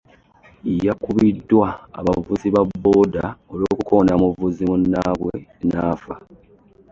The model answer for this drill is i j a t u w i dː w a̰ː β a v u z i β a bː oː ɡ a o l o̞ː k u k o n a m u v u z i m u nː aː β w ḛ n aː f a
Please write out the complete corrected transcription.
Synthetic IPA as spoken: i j a k u β i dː w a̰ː β a v u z i β a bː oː d a o l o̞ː k u k o n a m u v u z i m u nː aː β w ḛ n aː f a